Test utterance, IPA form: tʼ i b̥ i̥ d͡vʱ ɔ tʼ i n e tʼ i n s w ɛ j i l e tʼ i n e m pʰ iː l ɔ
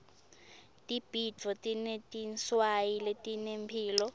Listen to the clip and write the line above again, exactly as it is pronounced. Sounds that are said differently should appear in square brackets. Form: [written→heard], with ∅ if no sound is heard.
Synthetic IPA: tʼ i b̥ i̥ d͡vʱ ɔ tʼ i n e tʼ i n s w [ɛ→a] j i l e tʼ i n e m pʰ iː l ɔ